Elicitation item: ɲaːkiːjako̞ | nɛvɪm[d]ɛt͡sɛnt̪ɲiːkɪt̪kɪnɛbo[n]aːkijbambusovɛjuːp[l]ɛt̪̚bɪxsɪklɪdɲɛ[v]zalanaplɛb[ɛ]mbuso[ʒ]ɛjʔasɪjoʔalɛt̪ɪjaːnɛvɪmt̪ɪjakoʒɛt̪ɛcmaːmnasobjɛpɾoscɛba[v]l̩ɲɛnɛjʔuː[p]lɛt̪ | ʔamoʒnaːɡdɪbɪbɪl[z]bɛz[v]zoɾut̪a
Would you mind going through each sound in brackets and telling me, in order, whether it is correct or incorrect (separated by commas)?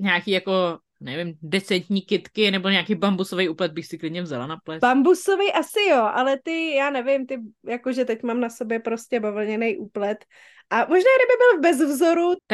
correct, incorrect, correct, correct, incorrect, incorrect, correct, correct, incorrect, correct